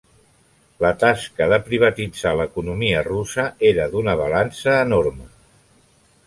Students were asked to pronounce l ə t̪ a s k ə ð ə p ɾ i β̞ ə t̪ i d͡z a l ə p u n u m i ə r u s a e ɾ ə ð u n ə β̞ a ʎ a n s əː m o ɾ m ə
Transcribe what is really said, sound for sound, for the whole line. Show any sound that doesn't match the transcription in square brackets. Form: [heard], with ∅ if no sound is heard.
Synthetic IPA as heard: l ə t̪ a s k ə ð ə p ɾ i β̞ ə t̪ i d͡z a l ə [k] u n u m i ə r u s [ə] e ɾ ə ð u n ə β̞ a [l] a n s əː [n] o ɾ m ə